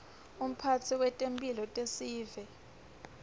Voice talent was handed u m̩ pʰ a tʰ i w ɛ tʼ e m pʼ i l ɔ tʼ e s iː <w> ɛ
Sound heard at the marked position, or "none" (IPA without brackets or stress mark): v